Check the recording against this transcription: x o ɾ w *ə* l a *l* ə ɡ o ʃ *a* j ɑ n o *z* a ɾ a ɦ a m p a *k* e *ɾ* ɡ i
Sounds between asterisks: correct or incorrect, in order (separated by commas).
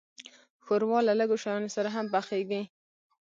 incorrect, correct, correct, incorrect, incorrect, incorrect